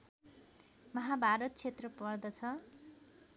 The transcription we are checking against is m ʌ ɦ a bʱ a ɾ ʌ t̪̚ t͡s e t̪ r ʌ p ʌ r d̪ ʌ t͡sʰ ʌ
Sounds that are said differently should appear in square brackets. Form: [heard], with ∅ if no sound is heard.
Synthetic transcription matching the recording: m ʌ ɦ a bʱ a ɾ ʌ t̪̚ [t͡sʰ] e t̪ r ʌ p ʌ r d̪ ʌ t͡sʰ ʌ